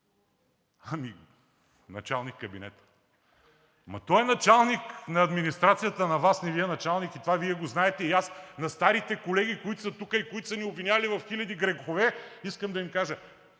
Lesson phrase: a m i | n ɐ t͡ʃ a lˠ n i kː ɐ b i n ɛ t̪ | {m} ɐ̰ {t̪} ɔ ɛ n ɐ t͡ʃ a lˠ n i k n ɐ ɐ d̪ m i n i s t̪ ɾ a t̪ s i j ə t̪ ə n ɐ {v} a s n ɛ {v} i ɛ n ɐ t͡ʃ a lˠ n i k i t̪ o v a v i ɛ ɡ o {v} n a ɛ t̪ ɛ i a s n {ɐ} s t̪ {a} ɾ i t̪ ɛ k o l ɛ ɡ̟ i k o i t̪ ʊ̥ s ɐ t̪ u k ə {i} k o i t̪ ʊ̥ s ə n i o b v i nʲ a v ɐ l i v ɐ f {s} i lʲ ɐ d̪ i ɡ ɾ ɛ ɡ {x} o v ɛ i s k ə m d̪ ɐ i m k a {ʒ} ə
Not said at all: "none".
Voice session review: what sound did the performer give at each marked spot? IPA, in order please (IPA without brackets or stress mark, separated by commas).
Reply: m, t̪, v, v, z, ɐ, a, i, x, x, ʒ